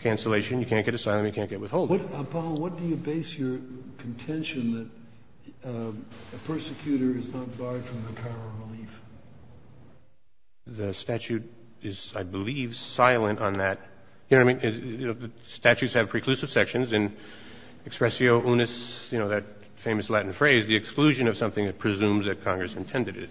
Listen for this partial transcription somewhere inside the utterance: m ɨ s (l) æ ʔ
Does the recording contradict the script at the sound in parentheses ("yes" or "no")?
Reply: no